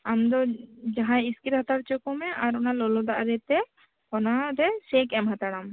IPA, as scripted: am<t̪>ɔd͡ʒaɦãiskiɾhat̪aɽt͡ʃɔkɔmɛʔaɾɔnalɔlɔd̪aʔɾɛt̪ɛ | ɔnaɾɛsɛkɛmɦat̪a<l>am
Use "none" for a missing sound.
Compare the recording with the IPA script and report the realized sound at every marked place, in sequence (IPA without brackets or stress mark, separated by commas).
d̪, ɽ